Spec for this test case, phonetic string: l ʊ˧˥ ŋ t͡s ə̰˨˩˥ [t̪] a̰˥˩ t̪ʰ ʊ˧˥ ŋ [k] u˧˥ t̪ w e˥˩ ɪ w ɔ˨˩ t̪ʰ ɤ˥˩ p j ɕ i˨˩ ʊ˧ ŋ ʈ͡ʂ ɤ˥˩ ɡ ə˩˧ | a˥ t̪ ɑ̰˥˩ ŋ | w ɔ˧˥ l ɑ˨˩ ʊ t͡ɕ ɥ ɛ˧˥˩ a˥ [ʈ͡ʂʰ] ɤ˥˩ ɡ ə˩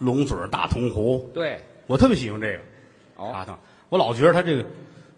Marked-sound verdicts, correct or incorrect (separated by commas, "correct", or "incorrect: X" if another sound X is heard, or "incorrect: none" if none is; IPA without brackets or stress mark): correct, incorrect: x, incorrect: ʈ͡ʂ